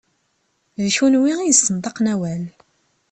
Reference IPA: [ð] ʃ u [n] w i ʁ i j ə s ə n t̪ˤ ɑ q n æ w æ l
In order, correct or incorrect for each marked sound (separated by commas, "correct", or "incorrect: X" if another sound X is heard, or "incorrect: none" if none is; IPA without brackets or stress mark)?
correct, correct